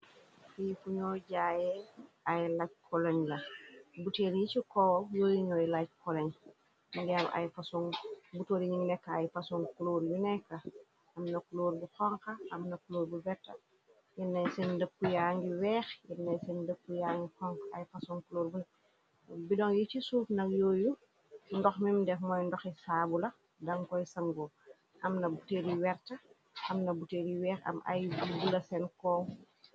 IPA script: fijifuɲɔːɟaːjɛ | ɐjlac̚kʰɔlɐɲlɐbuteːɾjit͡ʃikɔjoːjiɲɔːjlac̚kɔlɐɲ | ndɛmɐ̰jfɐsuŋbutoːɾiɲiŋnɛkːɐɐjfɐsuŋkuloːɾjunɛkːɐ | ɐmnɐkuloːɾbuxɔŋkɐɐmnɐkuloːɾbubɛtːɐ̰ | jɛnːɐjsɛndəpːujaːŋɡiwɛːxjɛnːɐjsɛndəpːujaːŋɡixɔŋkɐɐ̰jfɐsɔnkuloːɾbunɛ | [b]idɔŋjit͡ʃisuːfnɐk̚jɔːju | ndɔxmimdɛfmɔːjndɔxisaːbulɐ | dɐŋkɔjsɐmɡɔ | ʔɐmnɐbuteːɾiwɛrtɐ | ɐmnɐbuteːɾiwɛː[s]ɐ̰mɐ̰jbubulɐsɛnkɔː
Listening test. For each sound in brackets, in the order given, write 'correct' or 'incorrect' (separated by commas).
correct, incorrect